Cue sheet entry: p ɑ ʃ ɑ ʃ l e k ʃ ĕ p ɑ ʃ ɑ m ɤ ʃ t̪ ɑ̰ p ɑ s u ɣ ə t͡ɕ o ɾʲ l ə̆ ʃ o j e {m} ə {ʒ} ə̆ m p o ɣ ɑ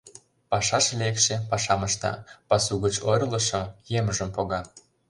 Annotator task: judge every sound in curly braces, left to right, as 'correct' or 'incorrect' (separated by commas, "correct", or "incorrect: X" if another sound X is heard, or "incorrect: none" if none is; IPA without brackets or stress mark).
correct, correct